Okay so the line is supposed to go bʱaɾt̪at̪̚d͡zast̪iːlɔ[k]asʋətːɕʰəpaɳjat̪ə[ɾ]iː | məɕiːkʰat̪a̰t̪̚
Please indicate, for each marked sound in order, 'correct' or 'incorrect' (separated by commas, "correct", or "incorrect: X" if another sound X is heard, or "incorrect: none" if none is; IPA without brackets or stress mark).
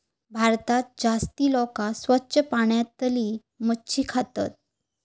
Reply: correct, incorrect: l